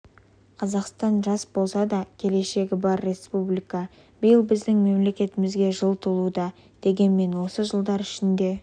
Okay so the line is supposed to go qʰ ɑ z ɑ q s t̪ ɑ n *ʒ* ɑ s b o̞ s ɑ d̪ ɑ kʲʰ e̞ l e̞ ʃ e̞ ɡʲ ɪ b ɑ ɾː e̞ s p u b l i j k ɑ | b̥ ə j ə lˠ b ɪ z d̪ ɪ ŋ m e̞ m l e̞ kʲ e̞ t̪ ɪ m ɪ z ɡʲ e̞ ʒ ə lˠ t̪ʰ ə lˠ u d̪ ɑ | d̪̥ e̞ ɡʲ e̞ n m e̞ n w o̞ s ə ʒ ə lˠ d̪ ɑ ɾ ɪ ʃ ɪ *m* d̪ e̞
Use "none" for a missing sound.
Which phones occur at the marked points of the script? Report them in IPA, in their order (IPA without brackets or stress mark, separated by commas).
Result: ʒ, n